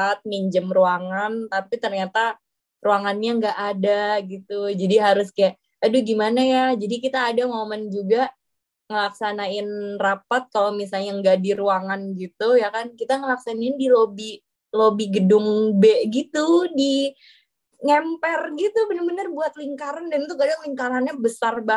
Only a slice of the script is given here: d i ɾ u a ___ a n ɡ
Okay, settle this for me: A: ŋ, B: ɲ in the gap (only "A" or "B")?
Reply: A